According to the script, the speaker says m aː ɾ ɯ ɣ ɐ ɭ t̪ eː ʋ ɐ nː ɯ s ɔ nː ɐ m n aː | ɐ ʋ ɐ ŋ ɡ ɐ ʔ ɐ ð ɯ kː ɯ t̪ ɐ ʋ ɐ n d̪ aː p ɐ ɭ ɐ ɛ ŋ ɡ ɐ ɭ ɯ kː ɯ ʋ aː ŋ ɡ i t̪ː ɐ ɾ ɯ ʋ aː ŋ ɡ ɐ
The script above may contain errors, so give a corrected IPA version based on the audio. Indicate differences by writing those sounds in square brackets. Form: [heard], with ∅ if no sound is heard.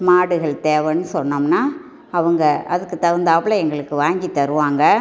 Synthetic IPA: m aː [ɽ] ɯ ɣ ɐ ɭ t̪ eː ʋ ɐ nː ɯ s ɔ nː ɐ m n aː | ɐ ʋ ɐ ŋ ɡ ɐ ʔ ɐ ð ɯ kː ɯ t̪ ɐ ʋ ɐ n d̪ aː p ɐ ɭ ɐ ɛ ŋ ɡ ɐ ɭ ɯ kː ɯ ʋ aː ŋ ɡ i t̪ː ɐ ɾ ɯ ʋ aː ŋ ɡ ɐ